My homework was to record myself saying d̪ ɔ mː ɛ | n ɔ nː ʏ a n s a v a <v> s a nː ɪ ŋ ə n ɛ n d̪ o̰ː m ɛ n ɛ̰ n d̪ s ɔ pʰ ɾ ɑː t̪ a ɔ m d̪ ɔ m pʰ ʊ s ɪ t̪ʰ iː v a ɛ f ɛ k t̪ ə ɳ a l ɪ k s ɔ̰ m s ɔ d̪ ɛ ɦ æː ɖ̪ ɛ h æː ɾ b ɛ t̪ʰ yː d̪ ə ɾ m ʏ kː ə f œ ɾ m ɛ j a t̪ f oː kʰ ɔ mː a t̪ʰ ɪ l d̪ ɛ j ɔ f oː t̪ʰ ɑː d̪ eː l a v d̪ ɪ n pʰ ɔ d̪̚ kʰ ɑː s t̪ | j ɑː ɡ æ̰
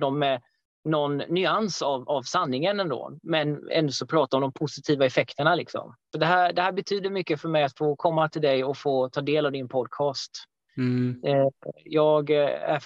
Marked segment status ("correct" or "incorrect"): correct